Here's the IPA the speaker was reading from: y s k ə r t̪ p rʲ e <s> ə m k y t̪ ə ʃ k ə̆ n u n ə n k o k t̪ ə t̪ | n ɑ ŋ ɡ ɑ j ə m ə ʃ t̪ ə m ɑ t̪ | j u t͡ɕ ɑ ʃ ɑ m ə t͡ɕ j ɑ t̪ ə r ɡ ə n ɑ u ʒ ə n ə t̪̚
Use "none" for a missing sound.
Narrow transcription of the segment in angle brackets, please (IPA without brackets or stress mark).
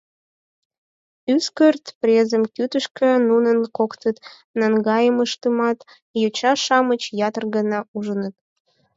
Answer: z